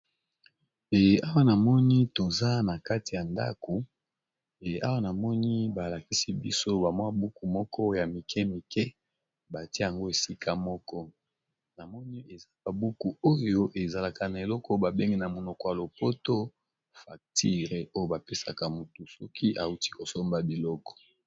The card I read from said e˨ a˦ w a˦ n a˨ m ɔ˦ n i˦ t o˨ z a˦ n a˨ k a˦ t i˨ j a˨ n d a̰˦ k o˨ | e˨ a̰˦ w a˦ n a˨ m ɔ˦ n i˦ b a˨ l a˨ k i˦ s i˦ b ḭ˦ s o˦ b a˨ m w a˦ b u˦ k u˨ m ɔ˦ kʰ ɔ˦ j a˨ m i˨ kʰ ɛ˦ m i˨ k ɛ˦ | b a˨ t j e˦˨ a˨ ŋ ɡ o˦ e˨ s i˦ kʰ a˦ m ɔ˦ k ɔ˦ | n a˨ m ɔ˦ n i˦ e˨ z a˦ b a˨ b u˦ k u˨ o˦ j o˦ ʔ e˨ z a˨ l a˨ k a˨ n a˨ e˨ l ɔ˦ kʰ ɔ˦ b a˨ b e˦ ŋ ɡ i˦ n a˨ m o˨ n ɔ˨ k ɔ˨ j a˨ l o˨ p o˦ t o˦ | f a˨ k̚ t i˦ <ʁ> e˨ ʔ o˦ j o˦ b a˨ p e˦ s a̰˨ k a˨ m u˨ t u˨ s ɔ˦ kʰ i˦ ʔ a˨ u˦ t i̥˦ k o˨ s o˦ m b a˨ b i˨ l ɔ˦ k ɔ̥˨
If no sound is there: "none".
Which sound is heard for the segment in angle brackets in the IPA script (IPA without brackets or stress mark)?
ʁ